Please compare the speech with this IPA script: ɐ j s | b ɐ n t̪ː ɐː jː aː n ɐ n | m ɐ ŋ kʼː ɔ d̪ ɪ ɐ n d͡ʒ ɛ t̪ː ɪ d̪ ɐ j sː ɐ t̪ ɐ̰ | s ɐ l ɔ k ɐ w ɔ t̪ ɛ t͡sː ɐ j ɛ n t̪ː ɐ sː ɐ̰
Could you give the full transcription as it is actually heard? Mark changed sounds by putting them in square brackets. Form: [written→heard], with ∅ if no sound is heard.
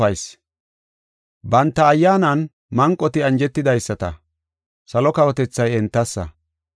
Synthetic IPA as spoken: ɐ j s | b ɐ n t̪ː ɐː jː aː n ɐ n | m ɐ ŋ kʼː ɔ [d̪→t̪] ɪ ɐ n d͡ʒ ɛ t̪ː ɪ d̪ ɐ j sː ɐ t̪ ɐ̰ | s ɐ l ɔ k ɐ w ɔ t̪ ɛ t͡sː ɐ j ɛ n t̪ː ɐ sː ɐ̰

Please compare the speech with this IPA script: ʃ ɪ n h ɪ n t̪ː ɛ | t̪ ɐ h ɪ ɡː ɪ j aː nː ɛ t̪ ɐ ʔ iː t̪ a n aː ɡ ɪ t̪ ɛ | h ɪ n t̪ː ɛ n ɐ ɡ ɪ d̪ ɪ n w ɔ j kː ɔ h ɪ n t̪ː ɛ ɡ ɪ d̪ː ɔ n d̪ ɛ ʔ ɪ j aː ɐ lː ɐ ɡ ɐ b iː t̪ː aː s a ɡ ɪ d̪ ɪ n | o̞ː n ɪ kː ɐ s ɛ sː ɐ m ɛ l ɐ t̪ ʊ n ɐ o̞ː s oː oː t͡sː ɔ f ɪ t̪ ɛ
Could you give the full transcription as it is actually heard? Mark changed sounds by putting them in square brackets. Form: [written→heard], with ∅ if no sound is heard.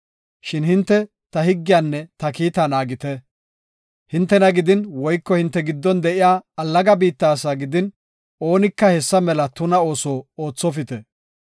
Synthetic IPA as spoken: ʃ ɪ n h ɪ n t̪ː ɛ | t̪ ɐ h ɪ ɡː ɪ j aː nː ɛ t̪ ɐ [ʔ→k] iː t̪ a n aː ɡ ɪ t̪ ɛ | h ɪ n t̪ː ɛ n ɐ ɡ ɪ d̪ ɪ n w ɔ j kː ɔ h ɪ n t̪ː ɛ ɡ ɪ d̪ː ɔ n d̪ ɛ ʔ ɪ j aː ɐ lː ɐ ɡ ɐ b iː t̪ː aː s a ɡ ɪ d̪ ɪ n | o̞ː n ɪ kː ɐ [s→h] ɛ sː ɐ m ɛ l ɐ t̪ ʊ n ɐ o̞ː s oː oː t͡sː ɔ f ɪ t̪ ɛ

